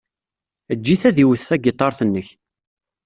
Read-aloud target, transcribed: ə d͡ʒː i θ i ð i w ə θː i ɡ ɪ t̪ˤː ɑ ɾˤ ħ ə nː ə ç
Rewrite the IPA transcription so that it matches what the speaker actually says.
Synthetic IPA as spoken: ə d͡ʒː i θ æ ð i w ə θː æ ɡ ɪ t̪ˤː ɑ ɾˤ θ ə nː ə ç